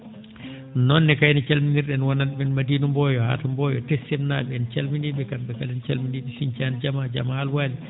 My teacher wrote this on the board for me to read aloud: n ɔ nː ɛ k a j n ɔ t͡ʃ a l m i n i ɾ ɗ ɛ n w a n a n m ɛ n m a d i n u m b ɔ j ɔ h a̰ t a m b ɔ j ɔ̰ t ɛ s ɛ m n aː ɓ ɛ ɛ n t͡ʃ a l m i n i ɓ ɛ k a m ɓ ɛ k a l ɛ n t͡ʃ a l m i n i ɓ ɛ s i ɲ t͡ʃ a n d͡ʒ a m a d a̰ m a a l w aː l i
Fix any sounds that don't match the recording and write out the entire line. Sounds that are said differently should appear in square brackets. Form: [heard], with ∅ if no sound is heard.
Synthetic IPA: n ɔ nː ɛ k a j n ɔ t͡ʃ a l m i n i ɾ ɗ ɛ n w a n a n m ɛ n m a d i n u m b ɔ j ɔ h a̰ t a m b ɔ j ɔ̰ t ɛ s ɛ m n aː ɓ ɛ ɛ n t͡ʃ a l m i n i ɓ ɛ k a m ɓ ɛ k a l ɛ n t͡ʃ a l m i n i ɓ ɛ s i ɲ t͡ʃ a n d͡ʒ a m a [d͡ʒ] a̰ m a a l w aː l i